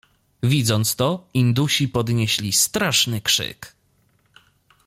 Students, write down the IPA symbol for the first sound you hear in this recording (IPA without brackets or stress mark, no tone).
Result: vʲ